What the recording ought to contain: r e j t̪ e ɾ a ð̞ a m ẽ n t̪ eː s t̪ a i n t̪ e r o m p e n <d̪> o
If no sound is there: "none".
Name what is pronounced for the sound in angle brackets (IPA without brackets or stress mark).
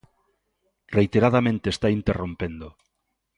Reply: d̪